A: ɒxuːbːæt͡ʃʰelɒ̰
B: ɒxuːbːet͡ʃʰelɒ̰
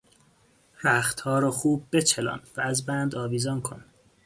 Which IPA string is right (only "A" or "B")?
B